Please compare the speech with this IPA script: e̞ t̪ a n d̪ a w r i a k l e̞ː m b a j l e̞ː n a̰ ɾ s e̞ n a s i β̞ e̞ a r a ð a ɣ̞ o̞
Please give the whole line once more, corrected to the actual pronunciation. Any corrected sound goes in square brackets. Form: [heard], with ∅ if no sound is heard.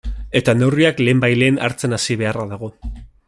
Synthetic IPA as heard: e̞ t̪ a n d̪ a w r i a k l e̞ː m b a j l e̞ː n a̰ ɾ [t͡s] e̞ n a s i β̞ e̞ a r a ð a ɣ̞ o̞